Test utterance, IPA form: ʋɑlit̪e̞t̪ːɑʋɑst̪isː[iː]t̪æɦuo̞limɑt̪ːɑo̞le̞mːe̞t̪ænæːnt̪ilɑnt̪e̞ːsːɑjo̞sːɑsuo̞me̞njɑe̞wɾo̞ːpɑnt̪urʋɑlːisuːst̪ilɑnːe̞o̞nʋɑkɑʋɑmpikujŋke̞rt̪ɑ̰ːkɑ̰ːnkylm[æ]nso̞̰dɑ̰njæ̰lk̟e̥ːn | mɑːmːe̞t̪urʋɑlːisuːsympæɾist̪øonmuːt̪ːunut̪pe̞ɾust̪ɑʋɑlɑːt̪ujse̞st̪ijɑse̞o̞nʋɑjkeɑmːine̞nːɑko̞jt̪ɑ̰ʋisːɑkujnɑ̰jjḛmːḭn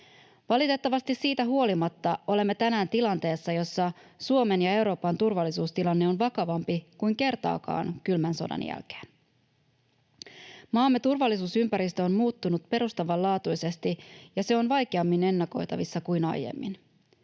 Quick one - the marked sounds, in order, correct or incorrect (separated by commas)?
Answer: correct, correct